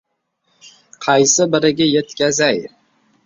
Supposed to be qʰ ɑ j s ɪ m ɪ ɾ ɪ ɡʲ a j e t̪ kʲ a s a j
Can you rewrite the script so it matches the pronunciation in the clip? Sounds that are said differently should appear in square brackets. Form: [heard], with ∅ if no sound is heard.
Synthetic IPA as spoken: qʰ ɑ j s ɪ [b] ɪ ɾ ɪ ɡʲ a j e t̪ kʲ a [z] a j